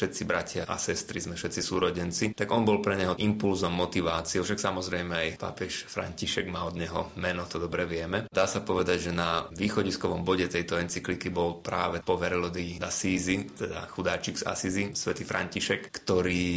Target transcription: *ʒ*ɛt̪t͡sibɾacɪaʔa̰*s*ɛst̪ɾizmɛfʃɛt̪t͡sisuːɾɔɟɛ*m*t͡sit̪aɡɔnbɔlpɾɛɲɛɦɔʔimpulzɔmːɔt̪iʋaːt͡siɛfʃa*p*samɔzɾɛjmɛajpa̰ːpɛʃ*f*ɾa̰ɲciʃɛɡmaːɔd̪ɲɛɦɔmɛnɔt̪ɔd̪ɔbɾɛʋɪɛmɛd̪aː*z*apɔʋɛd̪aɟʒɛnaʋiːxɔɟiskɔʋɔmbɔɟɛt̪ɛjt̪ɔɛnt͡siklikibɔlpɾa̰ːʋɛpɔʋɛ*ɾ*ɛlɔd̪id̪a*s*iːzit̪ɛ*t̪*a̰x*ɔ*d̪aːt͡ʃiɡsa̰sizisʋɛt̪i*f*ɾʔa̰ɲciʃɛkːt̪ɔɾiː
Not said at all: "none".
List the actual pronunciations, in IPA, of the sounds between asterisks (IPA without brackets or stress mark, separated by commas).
ʃ, s, n, k, f, s, ɾ, s, d̪, u, f